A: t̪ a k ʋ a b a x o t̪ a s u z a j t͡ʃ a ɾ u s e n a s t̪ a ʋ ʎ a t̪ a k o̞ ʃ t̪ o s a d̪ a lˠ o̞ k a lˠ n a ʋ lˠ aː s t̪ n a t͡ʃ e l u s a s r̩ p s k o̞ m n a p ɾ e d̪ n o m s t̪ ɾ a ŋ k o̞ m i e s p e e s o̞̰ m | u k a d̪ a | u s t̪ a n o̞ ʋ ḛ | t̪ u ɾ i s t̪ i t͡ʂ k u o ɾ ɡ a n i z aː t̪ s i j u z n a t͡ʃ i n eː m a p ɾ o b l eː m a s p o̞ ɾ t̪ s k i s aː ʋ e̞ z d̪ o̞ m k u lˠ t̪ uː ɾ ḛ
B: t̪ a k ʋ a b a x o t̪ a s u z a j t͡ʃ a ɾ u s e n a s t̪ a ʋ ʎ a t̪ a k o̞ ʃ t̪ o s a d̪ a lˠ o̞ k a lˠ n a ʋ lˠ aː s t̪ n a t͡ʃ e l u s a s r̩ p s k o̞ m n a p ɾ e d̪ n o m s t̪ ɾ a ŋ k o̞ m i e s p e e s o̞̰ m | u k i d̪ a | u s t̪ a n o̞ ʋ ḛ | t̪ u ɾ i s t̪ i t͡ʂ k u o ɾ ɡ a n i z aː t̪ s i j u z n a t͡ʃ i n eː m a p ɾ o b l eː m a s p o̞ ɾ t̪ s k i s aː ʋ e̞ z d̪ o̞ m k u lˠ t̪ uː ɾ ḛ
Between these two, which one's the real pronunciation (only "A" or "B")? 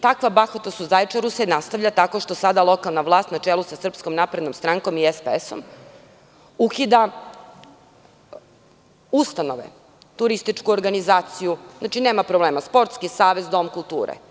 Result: B